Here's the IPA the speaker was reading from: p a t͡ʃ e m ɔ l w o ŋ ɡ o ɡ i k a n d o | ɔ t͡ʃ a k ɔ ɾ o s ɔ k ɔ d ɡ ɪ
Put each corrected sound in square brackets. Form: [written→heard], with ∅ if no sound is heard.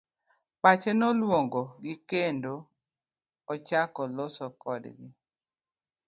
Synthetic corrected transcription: p a t͡ʃ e [m→n] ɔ l w o ŋ ɡ o ɡ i k [a→e] n d o | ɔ t͡ʃ a k ɔ [ɾ→l] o s ɔ k ɔ d ɡ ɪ